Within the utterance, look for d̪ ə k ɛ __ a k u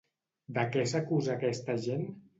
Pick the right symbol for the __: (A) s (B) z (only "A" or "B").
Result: A